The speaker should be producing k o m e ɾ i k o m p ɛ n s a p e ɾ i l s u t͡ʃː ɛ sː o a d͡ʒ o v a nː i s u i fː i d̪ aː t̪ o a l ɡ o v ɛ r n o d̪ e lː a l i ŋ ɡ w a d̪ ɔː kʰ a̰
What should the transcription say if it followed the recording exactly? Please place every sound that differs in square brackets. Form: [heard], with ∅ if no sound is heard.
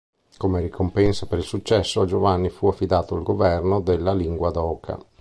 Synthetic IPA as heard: k o m e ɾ i k o m p ɛ n s a p e ɾ i l s u t͡ʃː ɛ sː o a d͡ʒ o v a nː i [f] u [a] fː i d̪ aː t̪ o a l ɡ o v ɛ r n o d̪ e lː a l i ŋ ɡ w a d̪ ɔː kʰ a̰

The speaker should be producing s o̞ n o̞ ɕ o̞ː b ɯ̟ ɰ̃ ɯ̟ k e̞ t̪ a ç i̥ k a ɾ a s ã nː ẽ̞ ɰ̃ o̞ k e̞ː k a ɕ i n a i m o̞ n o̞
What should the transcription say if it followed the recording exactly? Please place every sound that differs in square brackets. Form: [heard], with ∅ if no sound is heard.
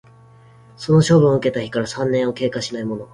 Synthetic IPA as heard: s o̞ n o̞ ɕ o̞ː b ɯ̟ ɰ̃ ɯ̟ k e̞ t̪ a ç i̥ k a ɾ a s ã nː ẽ̞ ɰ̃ o̞ k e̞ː k a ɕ i n a i m o̞ n o̞

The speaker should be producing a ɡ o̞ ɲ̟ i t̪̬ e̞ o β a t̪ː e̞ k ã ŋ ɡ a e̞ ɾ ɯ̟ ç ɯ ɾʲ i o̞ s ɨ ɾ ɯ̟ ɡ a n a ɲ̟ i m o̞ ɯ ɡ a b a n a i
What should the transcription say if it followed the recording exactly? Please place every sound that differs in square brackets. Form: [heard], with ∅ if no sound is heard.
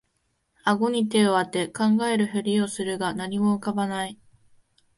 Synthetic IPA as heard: a ɡ o̞ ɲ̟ i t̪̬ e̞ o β a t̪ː e̞ k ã ŋ ɡ a e̞ ɾ ɯ̟ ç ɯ ɾʲ i o̞ s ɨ ɾ ɯ̟ ɡ a n a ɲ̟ i m o̞ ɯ [k] a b a n a i

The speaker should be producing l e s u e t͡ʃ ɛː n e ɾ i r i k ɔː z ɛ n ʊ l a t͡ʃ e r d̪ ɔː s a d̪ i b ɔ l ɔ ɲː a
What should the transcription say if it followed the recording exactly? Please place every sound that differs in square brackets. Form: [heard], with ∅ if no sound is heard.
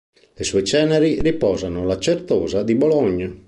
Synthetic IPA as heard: l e s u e t͡ʃ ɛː n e ɾ i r i [p] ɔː z [a] n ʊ l a t͡ʃ e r [t̪] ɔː [z] a d̪ i b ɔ l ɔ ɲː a

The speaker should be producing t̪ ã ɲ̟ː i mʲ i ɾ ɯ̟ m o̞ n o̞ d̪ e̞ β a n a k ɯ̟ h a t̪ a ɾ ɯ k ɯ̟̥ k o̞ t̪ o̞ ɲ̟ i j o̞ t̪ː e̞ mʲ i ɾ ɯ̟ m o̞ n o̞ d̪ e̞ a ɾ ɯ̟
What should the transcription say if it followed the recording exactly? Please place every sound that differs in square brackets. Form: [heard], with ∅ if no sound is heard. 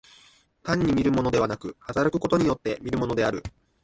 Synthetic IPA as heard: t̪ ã ɲ̟ː i mʲ i ɾ ɯ̟ m o̞ n o̞ d̪ e̞ β a n a k ɯ̟ h a t̪ a ɾ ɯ k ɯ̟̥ k o̞ t̪ o̞ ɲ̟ i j o̞ t̪ː e̞ mʲ i ɾ ɯ̟ m o̞ n o̞ d̪ e̞ a ɾ ɯ̟

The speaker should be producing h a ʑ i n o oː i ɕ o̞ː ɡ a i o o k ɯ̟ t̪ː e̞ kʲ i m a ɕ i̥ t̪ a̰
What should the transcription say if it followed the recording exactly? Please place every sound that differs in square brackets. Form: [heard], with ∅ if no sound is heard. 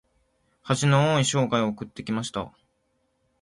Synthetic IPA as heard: h a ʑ i n o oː i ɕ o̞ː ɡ a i o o k ɯ̟ t̪ː e̞ kʲ i m a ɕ i̥ t̪ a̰

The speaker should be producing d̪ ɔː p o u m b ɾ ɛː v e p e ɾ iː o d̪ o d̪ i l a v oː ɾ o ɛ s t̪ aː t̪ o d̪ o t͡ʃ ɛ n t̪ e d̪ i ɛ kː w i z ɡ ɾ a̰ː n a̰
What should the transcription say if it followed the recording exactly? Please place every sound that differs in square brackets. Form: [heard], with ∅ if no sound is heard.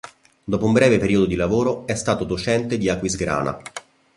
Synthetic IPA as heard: d̪ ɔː p o u m b ɾ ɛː v e p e ɾ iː o d̪ o d̪ i l a v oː ɾ o ɛ s t̪ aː t̪ o d̪ o t͡ʃ ɛ n t̪ e d̪ i [a] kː w i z ɡ ɾ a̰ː n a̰

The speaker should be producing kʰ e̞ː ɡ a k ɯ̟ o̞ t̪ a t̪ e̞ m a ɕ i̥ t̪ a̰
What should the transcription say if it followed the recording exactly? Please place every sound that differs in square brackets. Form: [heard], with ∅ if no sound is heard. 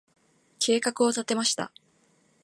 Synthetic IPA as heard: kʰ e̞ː [k] a k ɯ̟ o̞ t̪ a t̪ e̞ m a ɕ i̥ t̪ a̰

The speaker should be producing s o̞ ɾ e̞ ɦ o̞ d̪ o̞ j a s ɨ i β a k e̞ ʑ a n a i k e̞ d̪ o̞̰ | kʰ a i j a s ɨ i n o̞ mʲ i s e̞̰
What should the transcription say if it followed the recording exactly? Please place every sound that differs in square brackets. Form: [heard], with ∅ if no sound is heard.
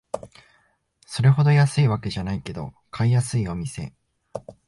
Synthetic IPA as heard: s o̞ ɾ e̞ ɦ o̞ d̪ o̞ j a s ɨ i β a k e̞ ʑ a n a i k e̞ d̪ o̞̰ | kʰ a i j a s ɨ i [∅] o̞ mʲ i s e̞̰

